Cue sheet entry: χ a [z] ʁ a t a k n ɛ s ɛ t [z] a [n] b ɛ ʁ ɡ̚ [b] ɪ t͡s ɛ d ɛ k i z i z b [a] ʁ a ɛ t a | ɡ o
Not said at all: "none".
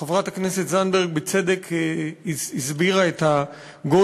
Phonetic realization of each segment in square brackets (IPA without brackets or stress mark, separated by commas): v, z, n, b, i